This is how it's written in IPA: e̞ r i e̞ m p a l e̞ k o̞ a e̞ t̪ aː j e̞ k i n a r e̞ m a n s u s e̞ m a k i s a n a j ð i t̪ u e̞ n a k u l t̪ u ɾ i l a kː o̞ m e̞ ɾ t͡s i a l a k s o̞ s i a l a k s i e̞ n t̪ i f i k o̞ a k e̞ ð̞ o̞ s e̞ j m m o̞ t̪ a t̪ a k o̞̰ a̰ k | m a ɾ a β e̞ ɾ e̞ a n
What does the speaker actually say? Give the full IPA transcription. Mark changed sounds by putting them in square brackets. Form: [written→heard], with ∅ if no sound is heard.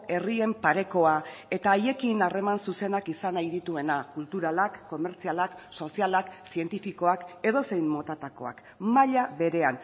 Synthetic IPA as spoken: e̞ r i e̞ m p a [l→ɾ] e̞ k o̞ a e̞ t̪ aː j e̞ k i n a r e̞ m a n s u s e̞ [m→n] a k i s a n a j ð i t̪ u e̞ n a k u l t̪ u ɾ [i→a] l a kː o̞ m e̞ ɾ t͡s i a l a k s o̞ s i a l a k s i e̞ n t̪ i f i k o̞ a k e̞ ð̞ o̞ s e̞ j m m o̞ t̪ a t̪ a k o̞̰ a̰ k | m a [ɾ→ʎ] a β e̞ ɾ e̞ a n